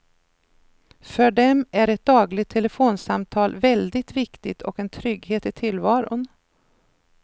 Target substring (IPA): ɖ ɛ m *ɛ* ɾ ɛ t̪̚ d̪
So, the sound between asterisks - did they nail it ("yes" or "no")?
no